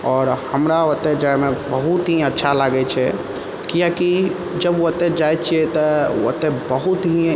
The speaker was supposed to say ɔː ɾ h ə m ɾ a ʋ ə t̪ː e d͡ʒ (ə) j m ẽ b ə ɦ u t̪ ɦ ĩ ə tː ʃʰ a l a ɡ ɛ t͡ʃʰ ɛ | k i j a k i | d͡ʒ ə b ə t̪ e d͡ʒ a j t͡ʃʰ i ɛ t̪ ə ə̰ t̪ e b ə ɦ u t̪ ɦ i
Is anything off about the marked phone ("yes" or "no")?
yes